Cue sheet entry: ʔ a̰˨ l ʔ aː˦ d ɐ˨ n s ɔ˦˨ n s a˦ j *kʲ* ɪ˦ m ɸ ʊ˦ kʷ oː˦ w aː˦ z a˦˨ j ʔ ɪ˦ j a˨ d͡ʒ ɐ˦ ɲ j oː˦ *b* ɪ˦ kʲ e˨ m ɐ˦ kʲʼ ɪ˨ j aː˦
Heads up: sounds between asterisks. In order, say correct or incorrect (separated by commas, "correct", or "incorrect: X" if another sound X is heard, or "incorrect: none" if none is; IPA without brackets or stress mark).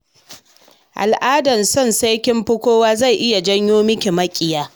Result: correct, incorrect: m